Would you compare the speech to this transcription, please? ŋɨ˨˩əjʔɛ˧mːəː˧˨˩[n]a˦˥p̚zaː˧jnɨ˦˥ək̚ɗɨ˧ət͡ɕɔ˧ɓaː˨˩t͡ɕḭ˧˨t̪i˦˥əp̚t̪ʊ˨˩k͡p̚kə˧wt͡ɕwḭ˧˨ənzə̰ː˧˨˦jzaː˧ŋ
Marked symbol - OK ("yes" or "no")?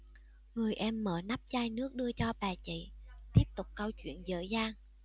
yes